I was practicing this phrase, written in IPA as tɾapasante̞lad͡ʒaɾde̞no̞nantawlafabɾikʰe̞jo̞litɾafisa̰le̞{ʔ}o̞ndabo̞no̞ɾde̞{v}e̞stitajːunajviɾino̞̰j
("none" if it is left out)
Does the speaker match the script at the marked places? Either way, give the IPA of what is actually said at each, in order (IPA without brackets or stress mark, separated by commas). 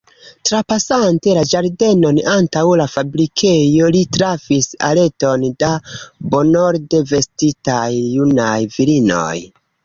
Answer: t, v